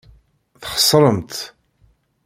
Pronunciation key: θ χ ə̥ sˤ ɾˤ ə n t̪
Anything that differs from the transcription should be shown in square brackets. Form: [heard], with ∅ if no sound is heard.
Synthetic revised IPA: θ χ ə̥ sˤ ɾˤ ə [m] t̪